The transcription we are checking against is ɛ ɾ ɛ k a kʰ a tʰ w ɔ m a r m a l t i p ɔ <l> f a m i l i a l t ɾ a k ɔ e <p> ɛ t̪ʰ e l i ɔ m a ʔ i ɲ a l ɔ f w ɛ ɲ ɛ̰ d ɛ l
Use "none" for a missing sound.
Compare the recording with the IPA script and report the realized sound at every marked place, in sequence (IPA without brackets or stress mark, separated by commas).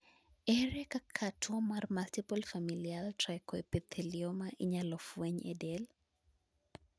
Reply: l, p